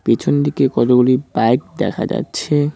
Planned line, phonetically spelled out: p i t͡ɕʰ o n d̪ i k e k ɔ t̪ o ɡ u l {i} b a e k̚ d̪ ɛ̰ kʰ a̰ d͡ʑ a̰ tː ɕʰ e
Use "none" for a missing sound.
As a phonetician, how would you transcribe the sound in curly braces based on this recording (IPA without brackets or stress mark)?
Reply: i